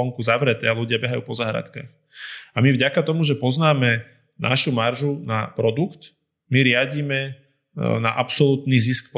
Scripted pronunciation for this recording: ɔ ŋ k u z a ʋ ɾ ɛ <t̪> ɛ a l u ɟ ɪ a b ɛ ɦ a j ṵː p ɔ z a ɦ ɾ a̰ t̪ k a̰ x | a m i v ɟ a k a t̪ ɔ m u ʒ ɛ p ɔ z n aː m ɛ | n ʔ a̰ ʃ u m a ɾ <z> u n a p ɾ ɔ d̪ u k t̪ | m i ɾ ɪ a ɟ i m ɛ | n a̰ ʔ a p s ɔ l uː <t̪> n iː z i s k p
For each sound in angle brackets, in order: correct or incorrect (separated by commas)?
correct, incorrect, correct